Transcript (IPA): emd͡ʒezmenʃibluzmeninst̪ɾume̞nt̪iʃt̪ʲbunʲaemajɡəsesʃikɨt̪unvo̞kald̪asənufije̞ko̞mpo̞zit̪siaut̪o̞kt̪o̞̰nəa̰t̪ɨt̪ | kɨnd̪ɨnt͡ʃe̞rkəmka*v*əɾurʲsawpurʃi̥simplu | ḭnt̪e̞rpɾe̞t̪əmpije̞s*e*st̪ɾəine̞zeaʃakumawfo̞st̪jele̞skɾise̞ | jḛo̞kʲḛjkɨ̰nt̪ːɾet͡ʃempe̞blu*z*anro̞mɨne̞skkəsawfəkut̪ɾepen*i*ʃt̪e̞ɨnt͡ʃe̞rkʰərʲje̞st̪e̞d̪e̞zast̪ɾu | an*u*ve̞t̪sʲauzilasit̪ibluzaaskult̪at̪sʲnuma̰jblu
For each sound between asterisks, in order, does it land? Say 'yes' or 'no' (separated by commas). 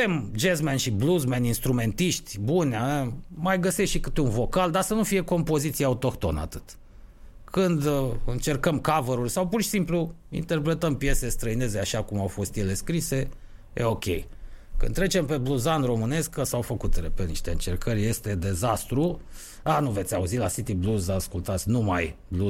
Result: yes, yes, yes, yes, yes